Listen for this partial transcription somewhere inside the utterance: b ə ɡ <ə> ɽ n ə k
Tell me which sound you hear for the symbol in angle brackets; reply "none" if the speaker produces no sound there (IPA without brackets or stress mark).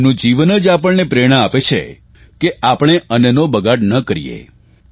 a